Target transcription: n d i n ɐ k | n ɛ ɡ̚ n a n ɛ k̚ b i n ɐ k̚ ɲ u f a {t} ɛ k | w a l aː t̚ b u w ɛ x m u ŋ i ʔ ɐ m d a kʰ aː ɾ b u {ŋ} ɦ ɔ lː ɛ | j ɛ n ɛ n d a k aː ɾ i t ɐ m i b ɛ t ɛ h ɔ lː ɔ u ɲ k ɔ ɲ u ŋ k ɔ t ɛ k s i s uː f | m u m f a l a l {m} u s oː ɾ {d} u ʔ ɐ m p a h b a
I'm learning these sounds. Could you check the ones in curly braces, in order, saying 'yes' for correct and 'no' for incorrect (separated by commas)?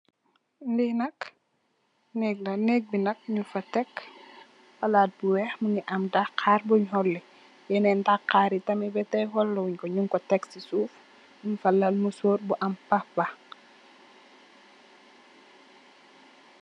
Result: yes, no, yes, no